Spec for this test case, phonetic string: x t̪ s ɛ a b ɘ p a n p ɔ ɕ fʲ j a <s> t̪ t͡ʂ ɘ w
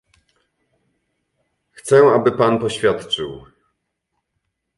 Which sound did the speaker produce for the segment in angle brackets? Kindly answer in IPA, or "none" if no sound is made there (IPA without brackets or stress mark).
none